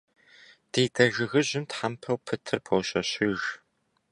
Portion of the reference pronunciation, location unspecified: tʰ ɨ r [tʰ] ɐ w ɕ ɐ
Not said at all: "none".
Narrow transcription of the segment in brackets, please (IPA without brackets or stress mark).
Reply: pʰ